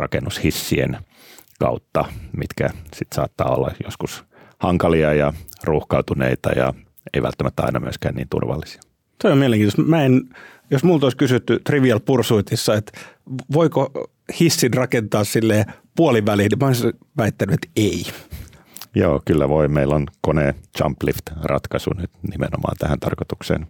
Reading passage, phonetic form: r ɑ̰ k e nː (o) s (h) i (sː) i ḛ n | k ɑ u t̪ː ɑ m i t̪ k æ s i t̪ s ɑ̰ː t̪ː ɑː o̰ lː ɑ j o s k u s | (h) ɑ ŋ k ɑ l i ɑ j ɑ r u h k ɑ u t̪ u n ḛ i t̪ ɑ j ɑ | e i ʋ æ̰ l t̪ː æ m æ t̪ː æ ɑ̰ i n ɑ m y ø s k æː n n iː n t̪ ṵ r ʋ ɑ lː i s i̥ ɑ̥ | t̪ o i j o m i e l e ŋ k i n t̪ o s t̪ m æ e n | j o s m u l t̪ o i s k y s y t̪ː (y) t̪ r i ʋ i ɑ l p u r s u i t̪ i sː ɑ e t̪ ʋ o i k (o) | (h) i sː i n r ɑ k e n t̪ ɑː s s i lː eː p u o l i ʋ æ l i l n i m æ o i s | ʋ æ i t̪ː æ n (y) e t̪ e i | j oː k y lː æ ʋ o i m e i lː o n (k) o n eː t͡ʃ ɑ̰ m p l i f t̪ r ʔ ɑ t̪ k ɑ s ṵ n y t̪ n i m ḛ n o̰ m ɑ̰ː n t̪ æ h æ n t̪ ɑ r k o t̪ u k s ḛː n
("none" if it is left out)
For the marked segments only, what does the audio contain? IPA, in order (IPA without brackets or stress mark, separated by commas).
u, h, sː, h, y, o, h, y, k